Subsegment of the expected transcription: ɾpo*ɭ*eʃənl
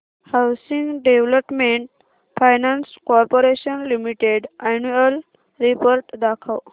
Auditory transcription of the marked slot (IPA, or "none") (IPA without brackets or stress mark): ɾ